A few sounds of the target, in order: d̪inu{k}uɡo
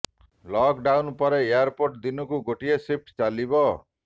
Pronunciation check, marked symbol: correct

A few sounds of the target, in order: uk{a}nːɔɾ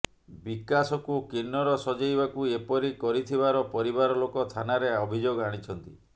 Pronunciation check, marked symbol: incorrect: i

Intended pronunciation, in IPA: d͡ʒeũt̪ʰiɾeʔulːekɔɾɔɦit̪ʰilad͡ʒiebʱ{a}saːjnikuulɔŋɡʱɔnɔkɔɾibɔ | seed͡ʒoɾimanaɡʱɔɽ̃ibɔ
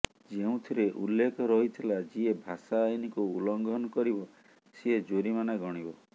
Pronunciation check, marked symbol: correct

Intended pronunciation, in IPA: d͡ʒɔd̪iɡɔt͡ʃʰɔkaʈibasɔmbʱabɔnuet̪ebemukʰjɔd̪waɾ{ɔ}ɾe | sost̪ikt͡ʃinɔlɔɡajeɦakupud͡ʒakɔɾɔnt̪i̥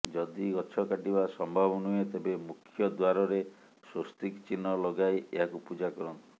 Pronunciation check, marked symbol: correct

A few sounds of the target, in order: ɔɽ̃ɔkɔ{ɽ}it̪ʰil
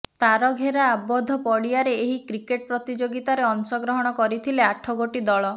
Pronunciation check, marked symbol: incorrect: ɾ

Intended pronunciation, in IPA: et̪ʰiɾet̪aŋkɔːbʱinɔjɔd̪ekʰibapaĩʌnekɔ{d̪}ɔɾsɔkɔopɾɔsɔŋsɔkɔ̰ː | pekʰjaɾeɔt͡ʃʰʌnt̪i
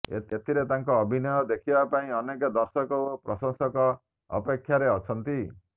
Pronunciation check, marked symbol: correct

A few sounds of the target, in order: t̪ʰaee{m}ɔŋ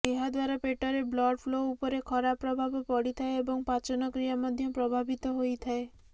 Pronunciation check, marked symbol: incorrect: b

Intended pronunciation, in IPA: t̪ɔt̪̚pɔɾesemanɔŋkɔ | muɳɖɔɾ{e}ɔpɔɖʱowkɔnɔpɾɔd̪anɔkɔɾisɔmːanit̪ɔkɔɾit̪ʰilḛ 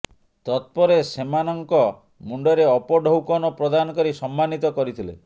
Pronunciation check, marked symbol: correct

